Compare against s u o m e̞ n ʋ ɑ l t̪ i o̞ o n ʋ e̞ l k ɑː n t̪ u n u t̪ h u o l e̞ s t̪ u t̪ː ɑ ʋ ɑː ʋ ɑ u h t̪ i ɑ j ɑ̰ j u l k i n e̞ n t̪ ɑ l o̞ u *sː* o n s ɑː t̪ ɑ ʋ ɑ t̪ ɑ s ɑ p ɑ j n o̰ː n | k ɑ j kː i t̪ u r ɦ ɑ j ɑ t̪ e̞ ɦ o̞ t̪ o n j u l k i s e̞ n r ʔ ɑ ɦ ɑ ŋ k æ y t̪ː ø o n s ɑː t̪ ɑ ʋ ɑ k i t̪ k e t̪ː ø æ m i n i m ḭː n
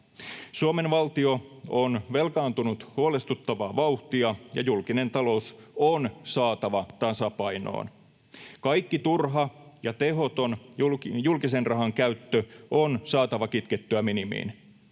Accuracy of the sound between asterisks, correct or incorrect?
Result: incorrect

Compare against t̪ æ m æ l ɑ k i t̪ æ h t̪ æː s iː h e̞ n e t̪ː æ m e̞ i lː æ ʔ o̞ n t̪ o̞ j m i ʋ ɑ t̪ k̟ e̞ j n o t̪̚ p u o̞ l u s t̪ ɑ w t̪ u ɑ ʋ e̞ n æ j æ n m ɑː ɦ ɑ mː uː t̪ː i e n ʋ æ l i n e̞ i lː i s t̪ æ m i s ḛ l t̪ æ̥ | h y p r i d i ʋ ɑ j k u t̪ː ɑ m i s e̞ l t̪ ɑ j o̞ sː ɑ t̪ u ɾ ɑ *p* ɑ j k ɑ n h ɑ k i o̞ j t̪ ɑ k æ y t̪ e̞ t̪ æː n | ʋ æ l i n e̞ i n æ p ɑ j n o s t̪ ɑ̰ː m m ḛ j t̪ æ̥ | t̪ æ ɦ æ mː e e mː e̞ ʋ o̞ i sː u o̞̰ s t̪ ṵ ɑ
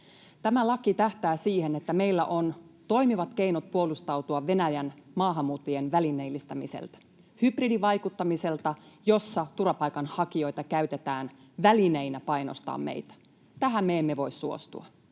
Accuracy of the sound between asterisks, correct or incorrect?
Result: correct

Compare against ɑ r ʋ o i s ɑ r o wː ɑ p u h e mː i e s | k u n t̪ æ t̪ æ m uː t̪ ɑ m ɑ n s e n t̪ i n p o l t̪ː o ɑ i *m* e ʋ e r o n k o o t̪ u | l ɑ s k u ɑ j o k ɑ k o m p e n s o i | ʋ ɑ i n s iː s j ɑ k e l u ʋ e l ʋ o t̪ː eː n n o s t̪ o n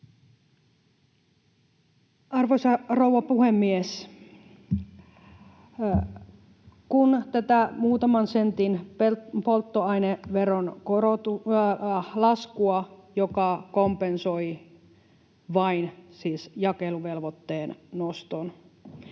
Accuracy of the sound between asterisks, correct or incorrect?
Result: incorrect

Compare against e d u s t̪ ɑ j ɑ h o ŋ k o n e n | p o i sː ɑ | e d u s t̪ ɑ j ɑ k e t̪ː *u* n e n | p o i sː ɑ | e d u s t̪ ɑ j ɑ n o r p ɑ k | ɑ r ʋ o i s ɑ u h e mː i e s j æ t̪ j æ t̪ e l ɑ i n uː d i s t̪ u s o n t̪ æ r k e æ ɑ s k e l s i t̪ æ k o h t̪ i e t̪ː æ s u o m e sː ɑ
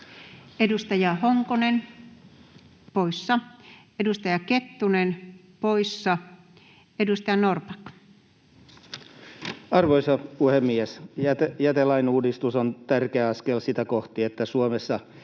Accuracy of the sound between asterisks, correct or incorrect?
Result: correct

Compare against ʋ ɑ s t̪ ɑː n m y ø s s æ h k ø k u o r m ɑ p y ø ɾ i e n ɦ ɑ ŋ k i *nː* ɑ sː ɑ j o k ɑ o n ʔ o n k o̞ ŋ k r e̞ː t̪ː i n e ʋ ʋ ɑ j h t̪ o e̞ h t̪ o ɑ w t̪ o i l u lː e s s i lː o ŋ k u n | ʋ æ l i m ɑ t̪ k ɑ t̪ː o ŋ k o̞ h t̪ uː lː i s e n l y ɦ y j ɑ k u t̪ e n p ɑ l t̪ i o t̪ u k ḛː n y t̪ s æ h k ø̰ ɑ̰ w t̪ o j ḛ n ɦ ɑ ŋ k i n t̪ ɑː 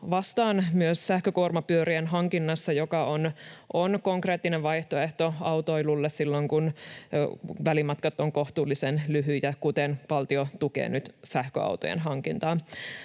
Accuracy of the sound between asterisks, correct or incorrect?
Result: correct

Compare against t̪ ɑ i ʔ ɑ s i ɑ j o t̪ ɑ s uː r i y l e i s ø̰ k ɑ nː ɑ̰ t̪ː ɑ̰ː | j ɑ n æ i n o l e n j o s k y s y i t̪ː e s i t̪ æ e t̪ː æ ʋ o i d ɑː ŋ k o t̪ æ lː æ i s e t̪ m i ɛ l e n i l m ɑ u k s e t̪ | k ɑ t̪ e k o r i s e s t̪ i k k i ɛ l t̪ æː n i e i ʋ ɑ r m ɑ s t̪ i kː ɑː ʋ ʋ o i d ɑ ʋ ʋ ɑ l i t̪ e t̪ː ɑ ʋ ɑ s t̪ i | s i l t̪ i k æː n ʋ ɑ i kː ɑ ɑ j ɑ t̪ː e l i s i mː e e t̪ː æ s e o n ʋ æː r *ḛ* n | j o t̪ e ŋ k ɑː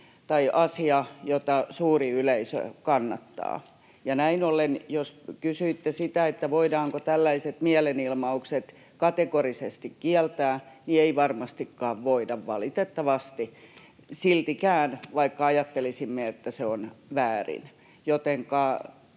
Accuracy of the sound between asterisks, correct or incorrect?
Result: incorrect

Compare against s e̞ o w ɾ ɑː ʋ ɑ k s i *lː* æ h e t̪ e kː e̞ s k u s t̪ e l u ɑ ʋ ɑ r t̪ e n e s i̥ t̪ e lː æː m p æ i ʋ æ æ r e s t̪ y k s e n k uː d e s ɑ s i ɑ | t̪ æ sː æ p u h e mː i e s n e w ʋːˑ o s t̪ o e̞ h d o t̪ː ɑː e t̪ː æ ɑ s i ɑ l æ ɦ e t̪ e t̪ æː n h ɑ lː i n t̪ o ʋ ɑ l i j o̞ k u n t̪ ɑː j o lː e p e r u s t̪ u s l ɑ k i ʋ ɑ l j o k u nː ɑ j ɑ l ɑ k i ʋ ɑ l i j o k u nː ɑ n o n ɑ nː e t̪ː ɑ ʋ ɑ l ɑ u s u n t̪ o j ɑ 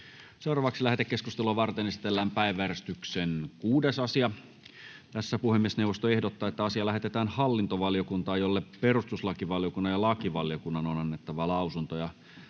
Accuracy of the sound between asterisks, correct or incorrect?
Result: incorrect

